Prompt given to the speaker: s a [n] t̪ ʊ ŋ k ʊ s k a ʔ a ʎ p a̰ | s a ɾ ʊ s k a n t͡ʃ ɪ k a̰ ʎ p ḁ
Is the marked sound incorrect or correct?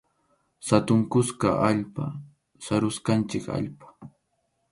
incorrect